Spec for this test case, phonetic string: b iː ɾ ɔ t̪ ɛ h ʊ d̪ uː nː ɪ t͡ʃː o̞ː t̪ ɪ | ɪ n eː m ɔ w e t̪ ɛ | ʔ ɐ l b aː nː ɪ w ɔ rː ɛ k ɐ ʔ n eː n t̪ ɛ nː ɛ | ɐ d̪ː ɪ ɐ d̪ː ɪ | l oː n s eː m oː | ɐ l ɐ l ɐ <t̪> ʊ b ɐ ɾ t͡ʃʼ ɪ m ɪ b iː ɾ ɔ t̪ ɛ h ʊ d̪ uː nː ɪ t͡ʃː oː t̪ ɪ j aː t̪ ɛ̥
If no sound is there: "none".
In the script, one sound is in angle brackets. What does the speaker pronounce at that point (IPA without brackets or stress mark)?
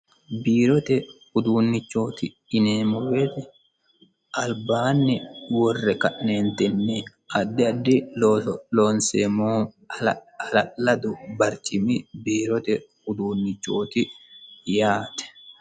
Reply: d̪